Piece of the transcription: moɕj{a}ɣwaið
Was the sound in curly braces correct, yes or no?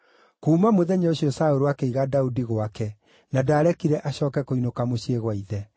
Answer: no